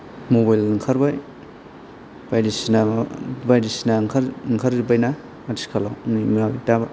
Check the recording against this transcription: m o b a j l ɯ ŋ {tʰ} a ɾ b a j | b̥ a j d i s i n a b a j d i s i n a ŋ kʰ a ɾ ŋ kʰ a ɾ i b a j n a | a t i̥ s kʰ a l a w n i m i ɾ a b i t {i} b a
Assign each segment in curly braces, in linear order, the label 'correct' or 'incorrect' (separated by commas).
incorrect, incorrect